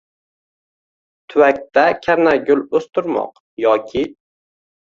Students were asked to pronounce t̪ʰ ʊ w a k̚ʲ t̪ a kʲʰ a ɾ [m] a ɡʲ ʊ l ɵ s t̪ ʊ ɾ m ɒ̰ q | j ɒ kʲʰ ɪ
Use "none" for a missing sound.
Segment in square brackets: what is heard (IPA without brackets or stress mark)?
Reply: n